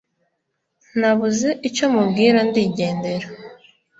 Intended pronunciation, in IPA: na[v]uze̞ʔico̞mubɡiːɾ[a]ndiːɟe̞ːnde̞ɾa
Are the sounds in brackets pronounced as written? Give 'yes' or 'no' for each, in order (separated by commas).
no, yes